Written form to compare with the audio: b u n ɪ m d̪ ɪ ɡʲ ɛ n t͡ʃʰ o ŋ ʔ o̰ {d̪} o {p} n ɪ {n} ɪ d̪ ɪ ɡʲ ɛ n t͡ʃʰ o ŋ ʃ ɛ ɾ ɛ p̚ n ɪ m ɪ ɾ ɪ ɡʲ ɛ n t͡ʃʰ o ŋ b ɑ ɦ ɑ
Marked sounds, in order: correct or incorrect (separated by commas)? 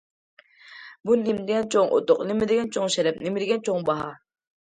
incorrect, incorrect, incorrect